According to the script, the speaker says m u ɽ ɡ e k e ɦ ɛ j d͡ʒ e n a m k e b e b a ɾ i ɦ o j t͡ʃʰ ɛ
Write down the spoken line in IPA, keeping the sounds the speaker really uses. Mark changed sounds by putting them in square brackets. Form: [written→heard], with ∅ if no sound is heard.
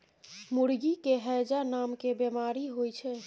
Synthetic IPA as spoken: m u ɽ ɡ [e→i] k e ɦ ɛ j d͡ʒ [e→a] n a m k e b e [b→m] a ɾ i ɦ o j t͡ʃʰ ɛ